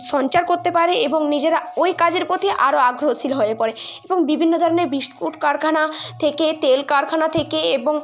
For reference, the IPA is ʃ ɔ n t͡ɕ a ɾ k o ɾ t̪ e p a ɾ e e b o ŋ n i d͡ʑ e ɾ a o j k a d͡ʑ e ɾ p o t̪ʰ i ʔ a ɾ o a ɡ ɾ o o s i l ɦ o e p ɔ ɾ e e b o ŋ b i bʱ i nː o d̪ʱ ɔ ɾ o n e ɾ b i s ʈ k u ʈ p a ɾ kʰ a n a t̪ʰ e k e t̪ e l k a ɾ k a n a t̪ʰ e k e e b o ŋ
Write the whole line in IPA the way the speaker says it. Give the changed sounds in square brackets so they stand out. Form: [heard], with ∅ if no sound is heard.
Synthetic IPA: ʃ ɔ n t͡ɕ a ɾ k o ɾ t̪ e p a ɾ e e b o ŋ n i d͡ʑ e ɾ a o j k a d͡ʑ e ɾ p o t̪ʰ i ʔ a ɾ o a ɡ ɾ o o s i l ɦ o e p ɔ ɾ e e b o ŋ b i bʱ i nː o d̪ʱ ɔ ɾ o n e ɾ b i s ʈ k u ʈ [k] a ɾ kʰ a n a t̪ʰ e k e t̪ e l k a ɾ [kʰ] a n a t̪ʰ e k e e b o ŋ